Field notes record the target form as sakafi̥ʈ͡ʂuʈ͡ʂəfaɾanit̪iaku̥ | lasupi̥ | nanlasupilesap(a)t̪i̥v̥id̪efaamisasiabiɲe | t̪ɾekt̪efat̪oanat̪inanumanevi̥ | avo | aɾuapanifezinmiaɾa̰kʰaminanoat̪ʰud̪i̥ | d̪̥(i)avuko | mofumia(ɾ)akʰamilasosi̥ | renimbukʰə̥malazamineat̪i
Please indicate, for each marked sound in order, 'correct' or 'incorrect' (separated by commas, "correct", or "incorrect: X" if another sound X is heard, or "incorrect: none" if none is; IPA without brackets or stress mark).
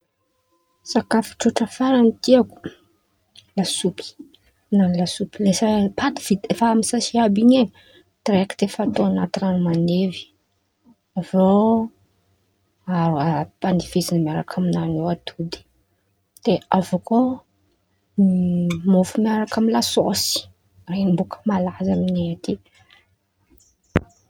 correct, incorrect: e, correct